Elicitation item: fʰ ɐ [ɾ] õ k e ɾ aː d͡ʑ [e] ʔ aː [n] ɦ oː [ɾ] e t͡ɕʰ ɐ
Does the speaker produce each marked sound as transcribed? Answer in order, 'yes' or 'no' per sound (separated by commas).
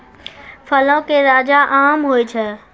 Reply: no, no, no, no